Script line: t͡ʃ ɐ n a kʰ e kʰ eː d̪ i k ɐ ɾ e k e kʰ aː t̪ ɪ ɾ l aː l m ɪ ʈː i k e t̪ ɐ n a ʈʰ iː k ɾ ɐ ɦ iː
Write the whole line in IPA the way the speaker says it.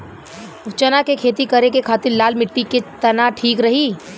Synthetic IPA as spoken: t͡ʃ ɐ n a k e kʰ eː t̪ i k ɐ ɾ e k e kʰ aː t̪ ɪ ɾ l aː l m ɪ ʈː i k e t̪ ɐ n a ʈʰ iː k ɾ ɐ ɦ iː